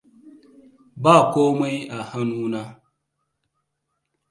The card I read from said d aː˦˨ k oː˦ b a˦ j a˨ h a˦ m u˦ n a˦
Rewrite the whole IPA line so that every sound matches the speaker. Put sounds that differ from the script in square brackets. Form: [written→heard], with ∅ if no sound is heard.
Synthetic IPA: [d→b] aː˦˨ k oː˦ [b→m] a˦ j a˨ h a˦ [m→n] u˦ n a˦